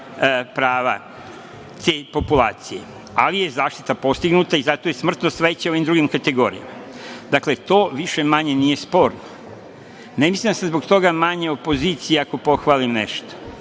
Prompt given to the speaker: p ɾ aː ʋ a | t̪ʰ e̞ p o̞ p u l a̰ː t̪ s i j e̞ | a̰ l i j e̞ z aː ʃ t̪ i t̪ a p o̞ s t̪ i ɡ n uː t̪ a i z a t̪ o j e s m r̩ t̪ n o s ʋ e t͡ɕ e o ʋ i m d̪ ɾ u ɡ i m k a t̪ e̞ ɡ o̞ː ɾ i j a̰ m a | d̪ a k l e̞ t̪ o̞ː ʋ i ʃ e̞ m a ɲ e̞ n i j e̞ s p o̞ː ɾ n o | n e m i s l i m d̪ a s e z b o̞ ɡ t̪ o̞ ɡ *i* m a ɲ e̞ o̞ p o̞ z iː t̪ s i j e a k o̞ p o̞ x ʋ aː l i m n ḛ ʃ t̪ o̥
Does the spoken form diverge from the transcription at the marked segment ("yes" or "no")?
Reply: yes